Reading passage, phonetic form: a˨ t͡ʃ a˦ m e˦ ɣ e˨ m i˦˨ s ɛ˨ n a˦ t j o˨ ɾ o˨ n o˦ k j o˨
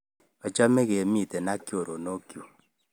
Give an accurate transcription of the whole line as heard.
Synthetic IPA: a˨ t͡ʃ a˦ m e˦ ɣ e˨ m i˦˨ t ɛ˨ n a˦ k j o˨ ɾ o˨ n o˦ k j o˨